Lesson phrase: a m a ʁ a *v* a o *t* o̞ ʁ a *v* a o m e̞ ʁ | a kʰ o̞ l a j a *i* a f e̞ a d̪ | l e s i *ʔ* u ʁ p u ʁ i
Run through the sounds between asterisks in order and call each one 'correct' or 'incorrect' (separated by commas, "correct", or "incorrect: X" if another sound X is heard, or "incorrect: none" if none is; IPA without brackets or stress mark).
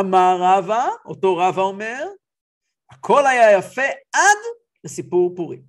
correct, correct, correct, incorrect: j, incorrect: p